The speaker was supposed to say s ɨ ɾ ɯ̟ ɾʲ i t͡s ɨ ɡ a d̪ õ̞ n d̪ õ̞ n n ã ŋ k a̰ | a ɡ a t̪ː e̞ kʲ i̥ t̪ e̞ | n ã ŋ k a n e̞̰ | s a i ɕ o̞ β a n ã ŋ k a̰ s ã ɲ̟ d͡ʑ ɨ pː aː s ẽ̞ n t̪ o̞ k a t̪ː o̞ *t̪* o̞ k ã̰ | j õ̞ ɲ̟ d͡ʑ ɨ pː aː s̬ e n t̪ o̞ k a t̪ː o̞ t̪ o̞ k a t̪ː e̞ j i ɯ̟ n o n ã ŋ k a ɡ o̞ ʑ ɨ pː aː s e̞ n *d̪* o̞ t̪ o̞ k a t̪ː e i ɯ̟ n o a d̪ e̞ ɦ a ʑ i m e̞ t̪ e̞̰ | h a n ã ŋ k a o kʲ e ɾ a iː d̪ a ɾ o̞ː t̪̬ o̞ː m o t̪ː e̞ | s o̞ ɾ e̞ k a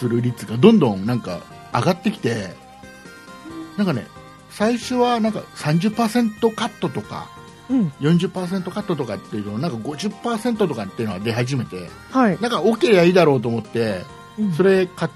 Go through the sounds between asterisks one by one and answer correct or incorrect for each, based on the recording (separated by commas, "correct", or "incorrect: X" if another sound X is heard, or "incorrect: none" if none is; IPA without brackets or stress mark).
correct, incorrect: t̪